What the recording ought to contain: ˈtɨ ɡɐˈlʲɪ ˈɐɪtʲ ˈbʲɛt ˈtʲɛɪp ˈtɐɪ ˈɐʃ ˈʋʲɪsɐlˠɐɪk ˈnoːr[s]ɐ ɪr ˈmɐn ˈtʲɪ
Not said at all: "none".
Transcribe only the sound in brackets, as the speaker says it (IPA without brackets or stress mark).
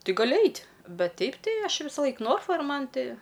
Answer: f